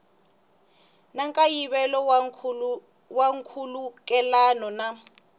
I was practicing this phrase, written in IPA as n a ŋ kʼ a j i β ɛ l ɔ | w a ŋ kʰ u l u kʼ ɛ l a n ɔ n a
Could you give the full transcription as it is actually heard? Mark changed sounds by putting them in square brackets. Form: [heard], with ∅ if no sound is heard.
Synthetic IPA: n a ŋ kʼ a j i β ɛ l ɔ | w a ŋ kʰ u l u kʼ ɛ l a n ɔ n a